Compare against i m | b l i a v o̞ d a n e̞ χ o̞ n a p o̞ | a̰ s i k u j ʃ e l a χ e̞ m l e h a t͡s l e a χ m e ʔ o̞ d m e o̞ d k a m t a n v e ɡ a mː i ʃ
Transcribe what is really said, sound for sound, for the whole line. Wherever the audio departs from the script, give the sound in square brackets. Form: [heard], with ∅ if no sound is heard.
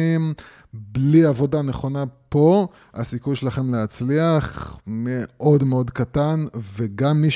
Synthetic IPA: i m | b l i a v o̞ d a n e̞ χ o̞ n a p o̞ | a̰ s i k u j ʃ e l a χ e̞ m l e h a t͡s l [i] a χ m e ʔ o̞ d m e o̞ d k a [∅] t a n v e ɡ a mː i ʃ